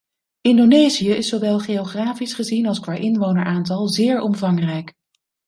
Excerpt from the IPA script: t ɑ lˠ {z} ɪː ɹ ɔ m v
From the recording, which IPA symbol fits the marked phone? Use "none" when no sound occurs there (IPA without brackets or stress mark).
z